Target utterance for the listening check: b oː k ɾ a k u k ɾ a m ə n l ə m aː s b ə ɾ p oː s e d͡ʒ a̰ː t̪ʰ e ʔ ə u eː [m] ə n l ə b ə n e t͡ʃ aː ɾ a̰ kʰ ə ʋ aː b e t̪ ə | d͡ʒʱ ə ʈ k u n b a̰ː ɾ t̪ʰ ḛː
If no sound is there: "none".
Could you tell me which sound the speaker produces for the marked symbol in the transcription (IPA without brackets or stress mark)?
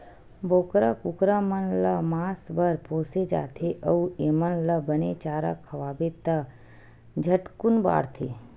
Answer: m